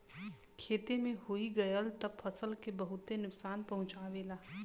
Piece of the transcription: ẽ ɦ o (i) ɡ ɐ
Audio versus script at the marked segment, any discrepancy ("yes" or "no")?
no